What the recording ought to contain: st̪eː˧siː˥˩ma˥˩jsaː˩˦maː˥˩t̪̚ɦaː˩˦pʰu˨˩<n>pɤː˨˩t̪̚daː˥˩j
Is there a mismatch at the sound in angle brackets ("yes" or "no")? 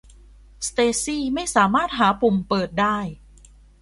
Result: yes